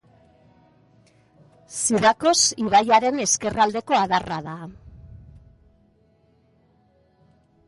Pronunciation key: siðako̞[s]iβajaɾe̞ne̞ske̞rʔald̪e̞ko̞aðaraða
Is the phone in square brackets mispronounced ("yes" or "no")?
no